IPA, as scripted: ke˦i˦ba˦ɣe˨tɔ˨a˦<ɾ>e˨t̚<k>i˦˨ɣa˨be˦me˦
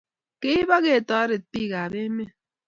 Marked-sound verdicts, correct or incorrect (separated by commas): correct, incorrect